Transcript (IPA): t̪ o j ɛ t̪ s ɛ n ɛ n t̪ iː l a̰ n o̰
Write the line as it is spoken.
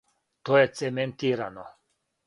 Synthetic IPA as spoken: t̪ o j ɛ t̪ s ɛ m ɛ n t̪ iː ɾ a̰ n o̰